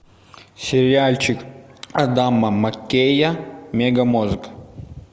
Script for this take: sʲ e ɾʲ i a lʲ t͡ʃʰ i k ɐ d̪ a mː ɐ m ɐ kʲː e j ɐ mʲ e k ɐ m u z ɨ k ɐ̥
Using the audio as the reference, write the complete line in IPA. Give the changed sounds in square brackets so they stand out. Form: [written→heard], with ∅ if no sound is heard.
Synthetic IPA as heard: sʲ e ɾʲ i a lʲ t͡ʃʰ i k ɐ d̪ a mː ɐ m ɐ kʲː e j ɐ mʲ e [k→ɡ] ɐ m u z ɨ k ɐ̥